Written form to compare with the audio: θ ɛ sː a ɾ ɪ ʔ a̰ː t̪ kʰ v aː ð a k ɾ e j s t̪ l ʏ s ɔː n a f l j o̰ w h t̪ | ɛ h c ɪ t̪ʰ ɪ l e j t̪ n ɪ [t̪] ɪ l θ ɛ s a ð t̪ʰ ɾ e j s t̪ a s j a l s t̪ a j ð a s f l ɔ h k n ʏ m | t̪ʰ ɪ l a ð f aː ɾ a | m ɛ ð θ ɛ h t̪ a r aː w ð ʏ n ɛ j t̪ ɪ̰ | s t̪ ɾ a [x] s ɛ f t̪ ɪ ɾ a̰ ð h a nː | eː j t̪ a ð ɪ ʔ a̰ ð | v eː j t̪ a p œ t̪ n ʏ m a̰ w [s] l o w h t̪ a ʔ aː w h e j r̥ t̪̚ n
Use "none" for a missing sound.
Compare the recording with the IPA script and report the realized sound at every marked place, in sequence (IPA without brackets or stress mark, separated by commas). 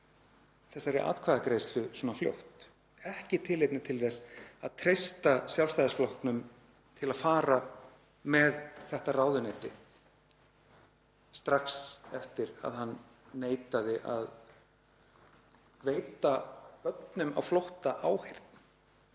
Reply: t̪ʰ, k, f